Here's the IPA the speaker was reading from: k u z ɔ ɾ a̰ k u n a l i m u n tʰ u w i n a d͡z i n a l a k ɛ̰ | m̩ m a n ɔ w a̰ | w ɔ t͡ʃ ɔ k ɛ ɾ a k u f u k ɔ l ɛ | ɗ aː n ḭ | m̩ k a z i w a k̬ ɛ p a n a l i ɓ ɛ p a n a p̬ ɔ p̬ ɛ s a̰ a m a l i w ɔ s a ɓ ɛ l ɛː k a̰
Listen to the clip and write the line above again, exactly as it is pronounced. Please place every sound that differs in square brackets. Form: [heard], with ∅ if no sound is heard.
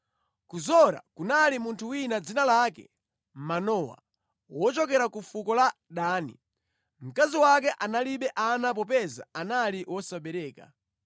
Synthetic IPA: k u z ɔ ɾ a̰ k u n a l i m u n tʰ u w i n a d͡z i n a l a k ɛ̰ | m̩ m a n ɔ w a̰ | w ɔ t͡ʃ ɔ k ɛ ɾ a k u f u k ɔ l [a] | ɗ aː n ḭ | m̩ k a z i w a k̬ ɛ [ʔ] a n a l i ɓ ɛ [ʔ] a n a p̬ ɔ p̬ ɛ [z] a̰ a [n] a l i w ɔ s a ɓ ɛ [ɾ] ɛː k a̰

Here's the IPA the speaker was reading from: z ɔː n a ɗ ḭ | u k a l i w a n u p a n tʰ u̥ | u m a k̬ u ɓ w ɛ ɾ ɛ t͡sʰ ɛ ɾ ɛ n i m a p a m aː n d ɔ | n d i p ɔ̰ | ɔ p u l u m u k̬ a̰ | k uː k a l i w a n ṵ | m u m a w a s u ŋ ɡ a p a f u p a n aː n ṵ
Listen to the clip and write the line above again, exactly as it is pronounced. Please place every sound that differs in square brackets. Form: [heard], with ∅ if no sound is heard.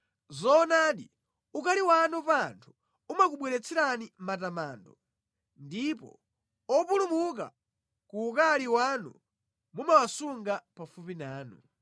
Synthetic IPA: z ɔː n a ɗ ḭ | u k a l i w a n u p a n tʰ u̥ | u m a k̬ u ɓ w ɛ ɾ ɛ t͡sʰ ɛ ɾ [a] n i m a [t] a m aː n d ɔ | n d i p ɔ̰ | ɔ p u l u m u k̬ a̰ | k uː k a l i w a n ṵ | m u m a w a s u ŋ ɡ a p a f u p [i] n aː n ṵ

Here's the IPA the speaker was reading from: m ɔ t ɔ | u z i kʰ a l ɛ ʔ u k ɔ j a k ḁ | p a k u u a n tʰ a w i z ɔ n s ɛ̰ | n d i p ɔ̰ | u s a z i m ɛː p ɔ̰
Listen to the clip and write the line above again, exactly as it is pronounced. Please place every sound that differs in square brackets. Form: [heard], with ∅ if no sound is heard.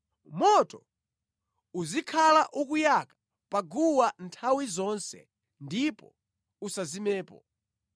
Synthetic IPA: m ɔ t ɔ | u z i kʰ a l [a] ʔ u k [u] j a k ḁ | p a [ɡ] u [w] a n tʰ a w i z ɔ n s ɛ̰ | n d i p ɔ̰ | u s a z i m ɛː p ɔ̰

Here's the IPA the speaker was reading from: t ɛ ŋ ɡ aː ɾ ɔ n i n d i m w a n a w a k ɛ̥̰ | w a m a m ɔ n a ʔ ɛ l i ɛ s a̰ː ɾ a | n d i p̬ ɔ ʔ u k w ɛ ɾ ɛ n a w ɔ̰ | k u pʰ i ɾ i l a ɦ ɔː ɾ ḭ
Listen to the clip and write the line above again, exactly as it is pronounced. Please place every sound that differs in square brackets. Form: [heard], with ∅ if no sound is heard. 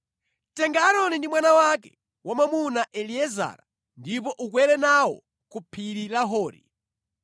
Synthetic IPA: t ɛ ŋ ɡ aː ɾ ɔ n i n d i m w a n a w a k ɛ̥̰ | w a m a m [u] n a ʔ ɛ l i ɛ [z] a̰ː ɾ a | n d i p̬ ɔ ʔ u k w ɛ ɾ ɛ n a w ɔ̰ | k u pʰ i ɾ i l a ɦ ɔː ɾ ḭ

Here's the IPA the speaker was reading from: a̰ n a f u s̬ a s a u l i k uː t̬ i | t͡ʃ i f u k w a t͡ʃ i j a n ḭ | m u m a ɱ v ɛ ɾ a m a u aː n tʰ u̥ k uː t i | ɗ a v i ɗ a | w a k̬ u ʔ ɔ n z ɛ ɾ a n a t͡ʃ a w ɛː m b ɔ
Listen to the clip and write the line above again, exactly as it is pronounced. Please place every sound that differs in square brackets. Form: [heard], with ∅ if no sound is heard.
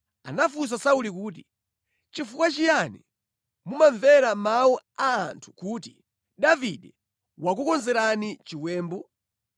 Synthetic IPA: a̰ n a f u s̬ a s a u l i k uː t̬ i | t͡ʃ i f u k w a t͡ʃ i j a n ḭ | m u m a ɱ v ɛ ɾ a m a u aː n tʰ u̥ k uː t i | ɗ a v i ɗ [ɛ] | w a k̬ u [k] ɔ n z ɛ ɾ a n [i] t͡ʃ [i] w ɛː m b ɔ

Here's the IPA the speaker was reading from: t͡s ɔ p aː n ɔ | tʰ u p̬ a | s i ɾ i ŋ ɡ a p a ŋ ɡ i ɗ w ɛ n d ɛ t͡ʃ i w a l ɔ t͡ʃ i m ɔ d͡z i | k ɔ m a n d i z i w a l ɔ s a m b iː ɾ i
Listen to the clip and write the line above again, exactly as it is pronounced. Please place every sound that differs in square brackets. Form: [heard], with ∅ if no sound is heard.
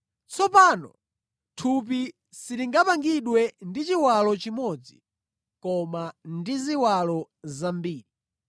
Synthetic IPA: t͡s ɔ p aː n ɔ | tʰ u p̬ [i] | s i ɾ i ŋ ɡ a p a ŋ ɡ i ɗ w ɛ n d [i] t͡ʃ i w a l ɔ t͡ʃ i m ɔ d͡z i | k ɔ m a n d i z i w a l ɔ [z] a m b iː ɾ i

